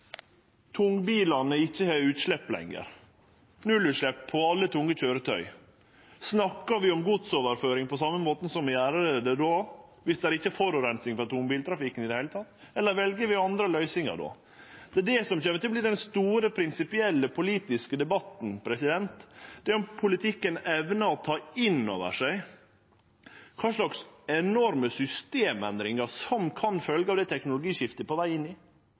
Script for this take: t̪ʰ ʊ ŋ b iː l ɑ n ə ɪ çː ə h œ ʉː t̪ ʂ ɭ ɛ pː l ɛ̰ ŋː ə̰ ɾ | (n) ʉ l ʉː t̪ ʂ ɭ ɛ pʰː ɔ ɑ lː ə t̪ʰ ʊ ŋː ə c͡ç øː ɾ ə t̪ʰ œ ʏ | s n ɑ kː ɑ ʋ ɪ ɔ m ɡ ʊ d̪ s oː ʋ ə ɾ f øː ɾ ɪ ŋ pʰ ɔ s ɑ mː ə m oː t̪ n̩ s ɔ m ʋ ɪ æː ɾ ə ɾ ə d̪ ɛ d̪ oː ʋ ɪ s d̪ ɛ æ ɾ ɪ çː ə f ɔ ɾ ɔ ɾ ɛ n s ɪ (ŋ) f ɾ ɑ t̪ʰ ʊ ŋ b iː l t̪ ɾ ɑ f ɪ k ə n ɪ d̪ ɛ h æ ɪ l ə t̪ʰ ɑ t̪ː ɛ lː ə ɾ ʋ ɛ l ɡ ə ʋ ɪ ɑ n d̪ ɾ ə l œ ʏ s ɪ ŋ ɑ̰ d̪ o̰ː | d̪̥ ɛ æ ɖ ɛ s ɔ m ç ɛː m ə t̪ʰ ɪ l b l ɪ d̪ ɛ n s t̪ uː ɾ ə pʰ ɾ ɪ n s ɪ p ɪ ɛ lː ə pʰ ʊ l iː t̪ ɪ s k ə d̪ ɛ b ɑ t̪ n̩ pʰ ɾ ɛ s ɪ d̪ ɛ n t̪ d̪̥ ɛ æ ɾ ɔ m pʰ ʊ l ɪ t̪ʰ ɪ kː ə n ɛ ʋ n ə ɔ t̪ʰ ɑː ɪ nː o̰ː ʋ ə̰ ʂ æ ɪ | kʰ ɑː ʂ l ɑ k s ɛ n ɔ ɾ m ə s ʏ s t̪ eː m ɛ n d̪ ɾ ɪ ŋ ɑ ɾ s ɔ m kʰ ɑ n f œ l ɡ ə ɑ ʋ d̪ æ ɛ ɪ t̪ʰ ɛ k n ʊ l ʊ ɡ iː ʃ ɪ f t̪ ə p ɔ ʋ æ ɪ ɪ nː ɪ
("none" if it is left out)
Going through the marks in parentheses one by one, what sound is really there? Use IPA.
n, ŋ

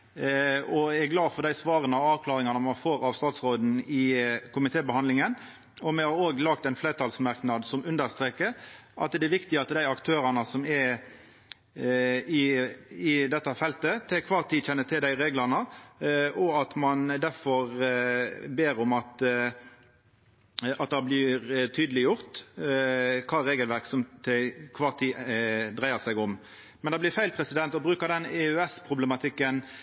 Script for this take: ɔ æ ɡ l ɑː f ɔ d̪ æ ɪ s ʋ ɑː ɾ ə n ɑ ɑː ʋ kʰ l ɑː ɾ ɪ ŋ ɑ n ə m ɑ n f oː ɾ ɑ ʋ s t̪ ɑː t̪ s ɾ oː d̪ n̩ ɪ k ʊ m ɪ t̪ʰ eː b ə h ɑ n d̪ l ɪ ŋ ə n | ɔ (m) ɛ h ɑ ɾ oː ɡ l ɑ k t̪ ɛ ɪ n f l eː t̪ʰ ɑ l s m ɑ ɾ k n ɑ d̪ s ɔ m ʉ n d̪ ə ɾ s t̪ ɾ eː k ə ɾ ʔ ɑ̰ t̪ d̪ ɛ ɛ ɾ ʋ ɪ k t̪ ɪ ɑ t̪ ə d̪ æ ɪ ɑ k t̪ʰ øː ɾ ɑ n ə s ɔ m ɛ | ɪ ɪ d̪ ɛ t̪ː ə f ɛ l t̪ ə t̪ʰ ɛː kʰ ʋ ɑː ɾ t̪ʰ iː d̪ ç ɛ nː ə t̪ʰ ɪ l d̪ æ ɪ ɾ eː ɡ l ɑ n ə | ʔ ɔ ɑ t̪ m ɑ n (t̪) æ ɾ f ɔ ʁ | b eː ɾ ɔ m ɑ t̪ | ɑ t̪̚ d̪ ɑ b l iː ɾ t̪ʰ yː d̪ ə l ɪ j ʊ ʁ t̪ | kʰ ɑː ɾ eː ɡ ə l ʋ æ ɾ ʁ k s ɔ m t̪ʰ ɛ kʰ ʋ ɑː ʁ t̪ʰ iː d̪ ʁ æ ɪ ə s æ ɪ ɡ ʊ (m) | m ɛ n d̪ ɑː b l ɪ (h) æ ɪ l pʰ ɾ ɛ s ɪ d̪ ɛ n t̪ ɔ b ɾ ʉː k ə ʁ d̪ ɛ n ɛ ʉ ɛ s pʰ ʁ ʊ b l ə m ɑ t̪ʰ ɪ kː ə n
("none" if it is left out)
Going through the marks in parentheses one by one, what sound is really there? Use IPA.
m, d̪, m, f

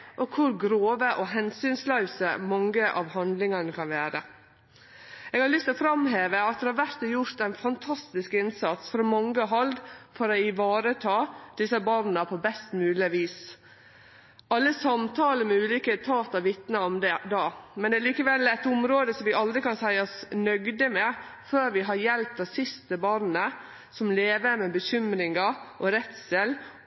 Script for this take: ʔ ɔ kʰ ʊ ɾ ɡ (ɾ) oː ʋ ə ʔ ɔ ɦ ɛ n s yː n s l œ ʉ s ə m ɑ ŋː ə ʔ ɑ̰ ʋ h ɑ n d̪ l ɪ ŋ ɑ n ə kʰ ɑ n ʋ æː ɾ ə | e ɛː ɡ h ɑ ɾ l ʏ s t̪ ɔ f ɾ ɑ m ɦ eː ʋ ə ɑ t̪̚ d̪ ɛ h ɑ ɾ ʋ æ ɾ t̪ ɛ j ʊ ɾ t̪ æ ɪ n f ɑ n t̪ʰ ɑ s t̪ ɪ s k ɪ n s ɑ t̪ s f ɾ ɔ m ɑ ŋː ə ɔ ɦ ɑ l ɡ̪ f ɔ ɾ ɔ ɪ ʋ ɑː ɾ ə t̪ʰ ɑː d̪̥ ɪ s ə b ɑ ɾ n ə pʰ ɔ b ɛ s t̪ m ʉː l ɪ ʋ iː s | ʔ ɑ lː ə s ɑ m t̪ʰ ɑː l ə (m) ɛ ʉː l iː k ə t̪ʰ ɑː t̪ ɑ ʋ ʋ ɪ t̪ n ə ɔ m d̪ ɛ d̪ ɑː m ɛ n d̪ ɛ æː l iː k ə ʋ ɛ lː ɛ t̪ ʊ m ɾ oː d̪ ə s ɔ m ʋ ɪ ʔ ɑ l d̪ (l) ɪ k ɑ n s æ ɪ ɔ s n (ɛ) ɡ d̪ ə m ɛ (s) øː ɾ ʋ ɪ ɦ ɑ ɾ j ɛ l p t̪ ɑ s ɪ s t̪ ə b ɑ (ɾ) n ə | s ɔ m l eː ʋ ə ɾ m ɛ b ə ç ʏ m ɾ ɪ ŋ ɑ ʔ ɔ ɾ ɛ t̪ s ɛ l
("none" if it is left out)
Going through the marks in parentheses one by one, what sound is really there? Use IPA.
ɾ, m, ɾ, œ, f, ɾ

